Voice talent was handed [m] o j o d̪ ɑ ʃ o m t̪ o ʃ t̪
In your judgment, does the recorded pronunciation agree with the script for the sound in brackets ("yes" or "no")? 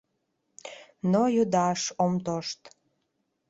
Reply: no